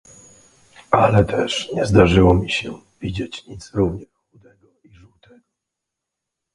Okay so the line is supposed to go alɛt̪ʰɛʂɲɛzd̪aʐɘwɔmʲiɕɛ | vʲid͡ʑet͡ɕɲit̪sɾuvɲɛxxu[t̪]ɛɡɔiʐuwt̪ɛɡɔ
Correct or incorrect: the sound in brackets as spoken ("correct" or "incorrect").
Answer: incorrect